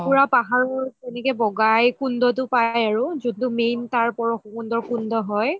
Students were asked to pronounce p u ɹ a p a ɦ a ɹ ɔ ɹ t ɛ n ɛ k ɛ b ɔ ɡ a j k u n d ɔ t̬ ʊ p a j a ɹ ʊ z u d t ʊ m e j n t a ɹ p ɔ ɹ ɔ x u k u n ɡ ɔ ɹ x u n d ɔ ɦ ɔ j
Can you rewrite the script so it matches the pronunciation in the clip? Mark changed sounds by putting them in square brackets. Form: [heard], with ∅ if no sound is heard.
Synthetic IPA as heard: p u ɹ a p a ɦ a ɹ ɔ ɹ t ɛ n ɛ k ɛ b ɔ ɡ a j k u n d ɔ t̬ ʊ p a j a ɹ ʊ z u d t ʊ m e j n t a ɹ p ɔ ɹ ɔ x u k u n [d] ɔ ɹ [k] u n d ɔ ɦ ɔ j